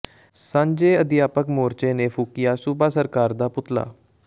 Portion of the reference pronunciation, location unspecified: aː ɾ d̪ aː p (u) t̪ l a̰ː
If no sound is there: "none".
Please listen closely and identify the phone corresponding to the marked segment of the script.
ʊ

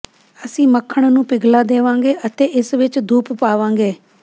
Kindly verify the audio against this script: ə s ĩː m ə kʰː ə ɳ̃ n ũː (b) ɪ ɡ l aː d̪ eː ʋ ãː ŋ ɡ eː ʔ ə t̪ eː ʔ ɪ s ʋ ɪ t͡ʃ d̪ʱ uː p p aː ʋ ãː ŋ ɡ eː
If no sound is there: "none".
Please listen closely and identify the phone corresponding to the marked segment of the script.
p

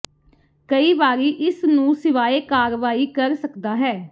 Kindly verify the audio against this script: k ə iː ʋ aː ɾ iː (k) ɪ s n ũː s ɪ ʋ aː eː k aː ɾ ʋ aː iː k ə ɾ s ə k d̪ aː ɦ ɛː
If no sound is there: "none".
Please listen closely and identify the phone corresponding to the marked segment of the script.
ʔ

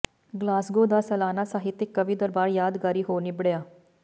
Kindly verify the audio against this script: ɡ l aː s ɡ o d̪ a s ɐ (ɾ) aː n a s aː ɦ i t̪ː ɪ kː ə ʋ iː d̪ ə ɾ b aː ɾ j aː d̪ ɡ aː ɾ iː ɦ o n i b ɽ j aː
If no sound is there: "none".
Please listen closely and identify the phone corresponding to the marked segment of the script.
l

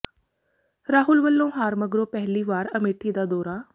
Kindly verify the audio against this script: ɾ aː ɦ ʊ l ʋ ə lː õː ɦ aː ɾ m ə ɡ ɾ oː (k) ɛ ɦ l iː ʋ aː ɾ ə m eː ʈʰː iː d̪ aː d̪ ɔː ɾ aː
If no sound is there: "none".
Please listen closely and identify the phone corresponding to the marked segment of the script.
p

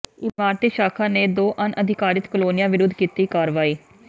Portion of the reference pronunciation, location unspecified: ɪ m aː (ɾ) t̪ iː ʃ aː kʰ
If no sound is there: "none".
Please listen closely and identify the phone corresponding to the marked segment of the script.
ɾ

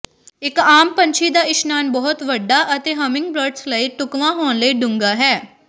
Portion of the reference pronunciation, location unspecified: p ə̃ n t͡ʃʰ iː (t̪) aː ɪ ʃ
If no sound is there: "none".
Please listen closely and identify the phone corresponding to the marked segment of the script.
d̪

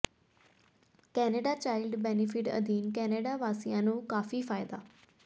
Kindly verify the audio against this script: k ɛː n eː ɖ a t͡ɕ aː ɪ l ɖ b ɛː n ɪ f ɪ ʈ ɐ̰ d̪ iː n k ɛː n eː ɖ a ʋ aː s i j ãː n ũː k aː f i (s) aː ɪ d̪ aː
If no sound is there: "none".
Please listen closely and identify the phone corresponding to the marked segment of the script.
f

